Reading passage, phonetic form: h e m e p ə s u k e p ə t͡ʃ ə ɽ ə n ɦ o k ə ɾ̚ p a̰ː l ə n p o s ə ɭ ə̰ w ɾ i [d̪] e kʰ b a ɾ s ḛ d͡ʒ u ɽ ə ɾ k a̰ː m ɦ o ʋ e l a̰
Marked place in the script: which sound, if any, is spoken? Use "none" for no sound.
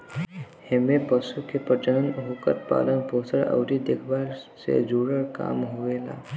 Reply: d̪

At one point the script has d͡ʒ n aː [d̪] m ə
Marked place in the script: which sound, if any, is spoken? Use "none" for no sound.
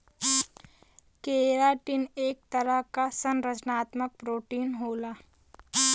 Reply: t̪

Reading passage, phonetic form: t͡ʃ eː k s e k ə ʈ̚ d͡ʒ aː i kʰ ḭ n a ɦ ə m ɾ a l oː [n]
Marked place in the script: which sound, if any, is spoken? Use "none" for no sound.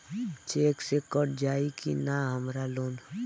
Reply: n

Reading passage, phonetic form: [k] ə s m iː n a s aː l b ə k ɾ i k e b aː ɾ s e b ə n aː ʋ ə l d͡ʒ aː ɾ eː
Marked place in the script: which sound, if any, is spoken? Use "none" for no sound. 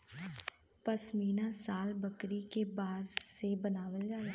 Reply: p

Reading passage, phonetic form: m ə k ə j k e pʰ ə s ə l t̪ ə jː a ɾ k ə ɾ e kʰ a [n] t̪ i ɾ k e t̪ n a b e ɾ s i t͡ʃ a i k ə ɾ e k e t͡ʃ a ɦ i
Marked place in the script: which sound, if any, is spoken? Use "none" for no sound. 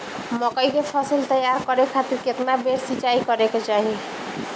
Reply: none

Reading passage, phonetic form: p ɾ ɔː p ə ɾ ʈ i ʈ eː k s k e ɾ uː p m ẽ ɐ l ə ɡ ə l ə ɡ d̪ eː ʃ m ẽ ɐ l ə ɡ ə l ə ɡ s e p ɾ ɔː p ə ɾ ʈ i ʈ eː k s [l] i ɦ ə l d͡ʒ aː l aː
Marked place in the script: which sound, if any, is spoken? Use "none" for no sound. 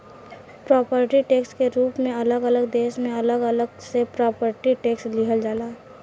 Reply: l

